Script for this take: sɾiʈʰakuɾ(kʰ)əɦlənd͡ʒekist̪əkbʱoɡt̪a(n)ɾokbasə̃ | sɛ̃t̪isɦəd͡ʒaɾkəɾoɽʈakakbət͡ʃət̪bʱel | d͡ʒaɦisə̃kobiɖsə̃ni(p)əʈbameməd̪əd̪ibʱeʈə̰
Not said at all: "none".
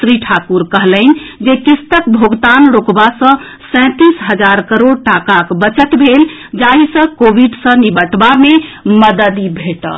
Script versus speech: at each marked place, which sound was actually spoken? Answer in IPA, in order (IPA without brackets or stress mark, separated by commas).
k, n, b